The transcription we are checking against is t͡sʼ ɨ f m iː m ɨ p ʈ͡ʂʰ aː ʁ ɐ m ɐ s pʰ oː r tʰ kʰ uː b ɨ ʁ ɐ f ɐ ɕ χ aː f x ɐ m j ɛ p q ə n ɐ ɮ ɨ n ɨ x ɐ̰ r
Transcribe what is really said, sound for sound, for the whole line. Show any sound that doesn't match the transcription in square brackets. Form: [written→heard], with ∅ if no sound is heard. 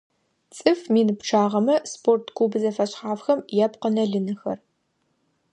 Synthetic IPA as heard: t͡sʼ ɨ f m iː [m→n] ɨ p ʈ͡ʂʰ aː ʁ ɐ m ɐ s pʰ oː r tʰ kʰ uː b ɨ [ʁ→z] ɐ f ɐ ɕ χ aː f x ɐ m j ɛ p q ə n ɐ ɮ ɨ n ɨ x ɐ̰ r

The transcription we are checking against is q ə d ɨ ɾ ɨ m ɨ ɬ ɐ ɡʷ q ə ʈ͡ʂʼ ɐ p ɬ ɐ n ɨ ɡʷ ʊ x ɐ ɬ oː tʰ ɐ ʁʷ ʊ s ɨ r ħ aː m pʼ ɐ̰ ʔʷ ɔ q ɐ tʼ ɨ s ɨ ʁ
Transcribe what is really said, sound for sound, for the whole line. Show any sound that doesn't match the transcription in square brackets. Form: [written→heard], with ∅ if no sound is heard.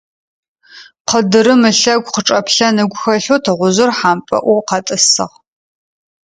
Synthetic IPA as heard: q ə d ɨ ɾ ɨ m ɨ ɬ ɐ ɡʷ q ə ʈ͡ʂʼ ɐ p ɬ ɐ n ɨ ɡʷ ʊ x ɐ ɬ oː tʰ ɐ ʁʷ ʊ [s→z] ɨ r ħ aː m pʼ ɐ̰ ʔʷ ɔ q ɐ tʼ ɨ s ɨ ʁ

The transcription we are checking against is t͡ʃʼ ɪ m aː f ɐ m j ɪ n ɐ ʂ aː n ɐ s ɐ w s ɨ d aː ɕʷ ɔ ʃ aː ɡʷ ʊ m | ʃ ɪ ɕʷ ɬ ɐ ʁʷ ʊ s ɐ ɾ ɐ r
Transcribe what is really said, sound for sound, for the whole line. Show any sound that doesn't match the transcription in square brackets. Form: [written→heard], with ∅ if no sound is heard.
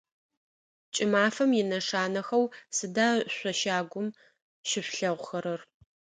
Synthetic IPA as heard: t͡ʃʼ ɪ m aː f ɐ m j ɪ n ɐ ʂ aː n ɐ [s→x] ɐ w s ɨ d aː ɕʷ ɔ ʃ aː ɡʷ ʊ m | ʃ ɪ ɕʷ ɬ ɐ ʁʷ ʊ [s→x] ɐ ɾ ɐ r

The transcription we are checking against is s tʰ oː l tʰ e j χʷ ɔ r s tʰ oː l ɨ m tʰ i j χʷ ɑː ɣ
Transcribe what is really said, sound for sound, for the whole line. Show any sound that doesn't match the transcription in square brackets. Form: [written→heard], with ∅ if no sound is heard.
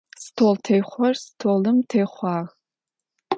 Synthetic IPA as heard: s tʰ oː l tʰ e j χʷ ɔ r s tʰ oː l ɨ m tʰ [i→e] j χʷ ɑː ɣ

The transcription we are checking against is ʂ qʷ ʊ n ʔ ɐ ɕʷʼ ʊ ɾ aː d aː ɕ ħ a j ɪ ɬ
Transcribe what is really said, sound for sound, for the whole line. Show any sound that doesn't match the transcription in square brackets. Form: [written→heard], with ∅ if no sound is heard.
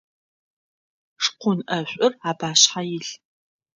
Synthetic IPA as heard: ʂ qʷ ʊ n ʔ ɐ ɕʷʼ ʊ [ɾ→r] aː [d→b] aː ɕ ħ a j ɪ ɬ

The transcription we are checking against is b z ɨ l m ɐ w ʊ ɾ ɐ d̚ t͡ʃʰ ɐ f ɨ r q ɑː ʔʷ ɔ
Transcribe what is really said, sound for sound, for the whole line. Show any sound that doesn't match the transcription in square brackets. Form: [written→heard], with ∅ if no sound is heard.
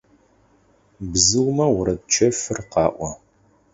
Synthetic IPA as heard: b z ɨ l m ɐ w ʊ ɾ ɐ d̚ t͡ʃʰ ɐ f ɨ r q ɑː ʔʷ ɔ

